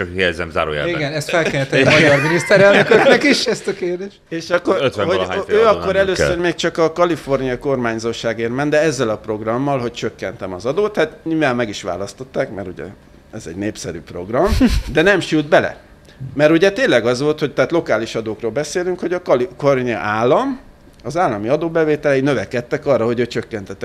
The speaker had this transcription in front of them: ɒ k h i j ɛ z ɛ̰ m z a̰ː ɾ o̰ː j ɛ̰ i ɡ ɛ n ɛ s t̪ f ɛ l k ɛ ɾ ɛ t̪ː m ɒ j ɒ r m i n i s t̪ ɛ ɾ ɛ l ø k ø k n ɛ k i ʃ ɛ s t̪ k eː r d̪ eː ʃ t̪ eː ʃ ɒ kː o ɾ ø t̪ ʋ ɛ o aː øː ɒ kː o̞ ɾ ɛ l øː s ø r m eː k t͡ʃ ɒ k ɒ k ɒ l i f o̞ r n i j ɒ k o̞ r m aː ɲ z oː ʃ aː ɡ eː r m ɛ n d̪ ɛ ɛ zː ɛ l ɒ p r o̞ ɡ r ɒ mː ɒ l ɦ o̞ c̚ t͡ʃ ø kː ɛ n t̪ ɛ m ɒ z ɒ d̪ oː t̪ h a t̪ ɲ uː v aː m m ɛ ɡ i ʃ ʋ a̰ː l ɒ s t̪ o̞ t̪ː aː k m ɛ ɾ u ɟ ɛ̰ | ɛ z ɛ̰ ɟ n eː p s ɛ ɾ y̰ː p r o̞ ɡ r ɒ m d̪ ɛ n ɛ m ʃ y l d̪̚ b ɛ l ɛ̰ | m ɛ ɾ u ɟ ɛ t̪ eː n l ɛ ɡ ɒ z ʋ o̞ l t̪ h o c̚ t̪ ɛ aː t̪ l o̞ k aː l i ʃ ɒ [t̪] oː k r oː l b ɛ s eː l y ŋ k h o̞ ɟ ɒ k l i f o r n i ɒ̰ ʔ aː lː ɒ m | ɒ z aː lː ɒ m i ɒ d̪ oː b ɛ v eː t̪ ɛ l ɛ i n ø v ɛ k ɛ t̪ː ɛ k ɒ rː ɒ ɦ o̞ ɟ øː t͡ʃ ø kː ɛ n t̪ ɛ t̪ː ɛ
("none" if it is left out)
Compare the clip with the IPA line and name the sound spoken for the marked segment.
d̪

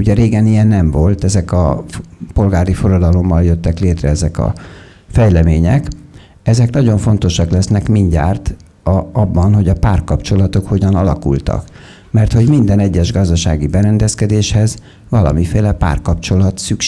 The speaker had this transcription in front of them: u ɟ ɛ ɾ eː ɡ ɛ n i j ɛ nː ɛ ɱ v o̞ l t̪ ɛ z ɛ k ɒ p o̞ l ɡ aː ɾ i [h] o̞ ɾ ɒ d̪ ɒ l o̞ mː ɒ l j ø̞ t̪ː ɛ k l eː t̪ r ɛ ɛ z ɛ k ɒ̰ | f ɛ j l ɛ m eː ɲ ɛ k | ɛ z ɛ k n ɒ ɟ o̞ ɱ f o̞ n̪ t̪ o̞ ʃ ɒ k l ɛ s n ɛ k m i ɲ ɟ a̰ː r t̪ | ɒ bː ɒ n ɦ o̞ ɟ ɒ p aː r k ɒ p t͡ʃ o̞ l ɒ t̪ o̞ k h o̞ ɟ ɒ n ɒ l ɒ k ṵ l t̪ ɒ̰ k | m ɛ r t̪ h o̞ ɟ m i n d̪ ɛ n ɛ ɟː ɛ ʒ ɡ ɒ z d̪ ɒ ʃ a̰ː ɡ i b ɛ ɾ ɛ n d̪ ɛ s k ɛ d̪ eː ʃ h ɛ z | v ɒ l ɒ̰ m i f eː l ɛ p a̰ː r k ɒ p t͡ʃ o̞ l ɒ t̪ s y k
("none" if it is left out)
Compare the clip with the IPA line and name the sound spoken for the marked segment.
f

